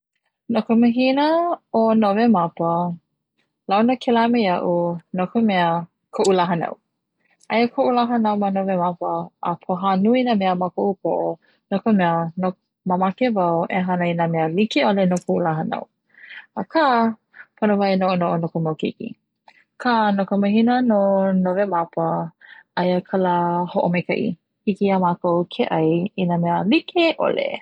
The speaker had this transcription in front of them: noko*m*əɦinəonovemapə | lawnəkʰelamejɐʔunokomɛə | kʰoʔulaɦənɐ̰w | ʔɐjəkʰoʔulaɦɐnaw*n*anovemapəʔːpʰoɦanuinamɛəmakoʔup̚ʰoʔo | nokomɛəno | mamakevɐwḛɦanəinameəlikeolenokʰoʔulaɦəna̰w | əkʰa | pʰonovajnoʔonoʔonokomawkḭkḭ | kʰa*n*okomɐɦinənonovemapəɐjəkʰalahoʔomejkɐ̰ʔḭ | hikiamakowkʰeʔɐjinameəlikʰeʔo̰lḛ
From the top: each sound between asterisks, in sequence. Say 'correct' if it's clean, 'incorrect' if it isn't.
correct, incorrect, correct

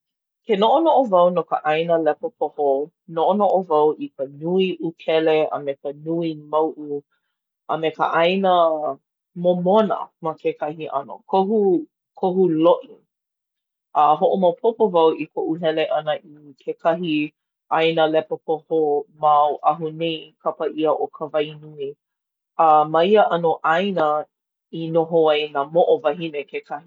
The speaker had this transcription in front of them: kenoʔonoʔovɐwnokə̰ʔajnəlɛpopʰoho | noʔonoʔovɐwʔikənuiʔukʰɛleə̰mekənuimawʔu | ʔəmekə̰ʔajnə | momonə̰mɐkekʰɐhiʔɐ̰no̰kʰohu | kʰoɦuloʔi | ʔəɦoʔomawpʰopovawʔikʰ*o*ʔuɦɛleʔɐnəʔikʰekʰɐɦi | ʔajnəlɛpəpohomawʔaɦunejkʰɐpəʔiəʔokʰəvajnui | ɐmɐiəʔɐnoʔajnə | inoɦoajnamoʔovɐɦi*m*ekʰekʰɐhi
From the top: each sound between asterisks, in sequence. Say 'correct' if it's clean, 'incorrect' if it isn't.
correct, incorrect

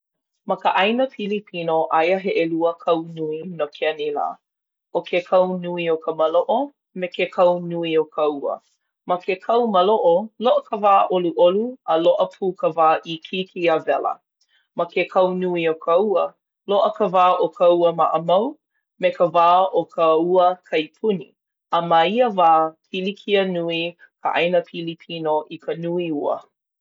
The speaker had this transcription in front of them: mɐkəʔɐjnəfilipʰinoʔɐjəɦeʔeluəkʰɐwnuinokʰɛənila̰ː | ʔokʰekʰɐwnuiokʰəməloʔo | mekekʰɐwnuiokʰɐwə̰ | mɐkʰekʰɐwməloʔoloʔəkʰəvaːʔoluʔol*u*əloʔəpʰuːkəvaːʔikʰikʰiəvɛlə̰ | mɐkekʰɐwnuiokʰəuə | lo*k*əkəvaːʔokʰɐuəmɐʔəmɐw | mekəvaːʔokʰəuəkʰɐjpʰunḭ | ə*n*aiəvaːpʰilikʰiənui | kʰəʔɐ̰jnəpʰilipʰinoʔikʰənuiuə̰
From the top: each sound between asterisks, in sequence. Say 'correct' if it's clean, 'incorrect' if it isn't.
correct, incorrect, incorrect

